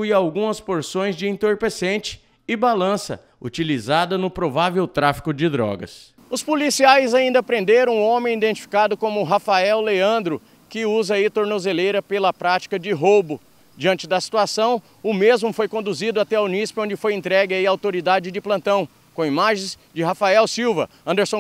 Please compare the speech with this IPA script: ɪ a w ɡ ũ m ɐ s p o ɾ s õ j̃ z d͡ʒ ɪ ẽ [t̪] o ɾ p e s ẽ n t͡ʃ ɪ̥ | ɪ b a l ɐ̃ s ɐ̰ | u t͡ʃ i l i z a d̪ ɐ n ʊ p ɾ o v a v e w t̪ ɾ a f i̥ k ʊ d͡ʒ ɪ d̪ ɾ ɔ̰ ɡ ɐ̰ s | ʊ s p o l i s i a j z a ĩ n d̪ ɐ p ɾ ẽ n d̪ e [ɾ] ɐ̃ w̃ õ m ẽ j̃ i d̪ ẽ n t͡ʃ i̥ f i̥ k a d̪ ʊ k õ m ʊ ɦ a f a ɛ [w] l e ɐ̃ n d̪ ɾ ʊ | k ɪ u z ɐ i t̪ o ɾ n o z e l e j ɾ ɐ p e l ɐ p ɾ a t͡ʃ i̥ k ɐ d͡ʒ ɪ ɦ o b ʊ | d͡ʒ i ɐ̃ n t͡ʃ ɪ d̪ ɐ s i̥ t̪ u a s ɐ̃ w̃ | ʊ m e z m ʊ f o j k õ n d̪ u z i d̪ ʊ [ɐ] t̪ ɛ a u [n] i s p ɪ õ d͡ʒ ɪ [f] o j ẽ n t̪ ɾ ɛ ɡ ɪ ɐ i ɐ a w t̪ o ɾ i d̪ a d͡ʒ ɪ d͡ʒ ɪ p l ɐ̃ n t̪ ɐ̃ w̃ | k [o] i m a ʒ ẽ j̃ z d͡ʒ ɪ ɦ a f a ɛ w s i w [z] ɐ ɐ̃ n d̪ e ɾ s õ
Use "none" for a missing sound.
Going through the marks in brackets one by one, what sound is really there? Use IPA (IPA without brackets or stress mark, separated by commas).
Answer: t̪, ɾ, w, a, n, f, õ, v